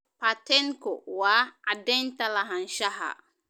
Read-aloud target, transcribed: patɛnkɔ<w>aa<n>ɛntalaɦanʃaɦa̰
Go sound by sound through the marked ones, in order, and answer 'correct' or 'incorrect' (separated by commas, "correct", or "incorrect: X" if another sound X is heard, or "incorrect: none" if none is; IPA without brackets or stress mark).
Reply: correct, incorrect: d